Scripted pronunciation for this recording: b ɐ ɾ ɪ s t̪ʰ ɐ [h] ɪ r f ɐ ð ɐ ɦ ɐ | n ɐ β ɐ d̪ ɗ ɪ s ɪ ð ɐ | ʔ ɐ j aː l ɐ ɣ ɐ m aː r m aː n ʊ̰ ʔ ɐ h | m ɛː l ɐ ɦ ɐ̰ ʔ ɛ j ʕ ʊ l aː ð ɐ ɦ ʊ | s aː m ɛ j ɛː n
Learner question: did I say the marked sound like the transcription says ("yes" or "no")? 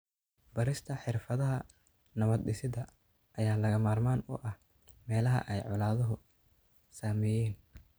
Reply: no